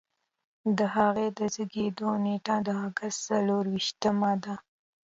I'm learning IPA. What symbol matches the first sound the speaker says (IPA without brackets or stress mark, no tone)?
d̪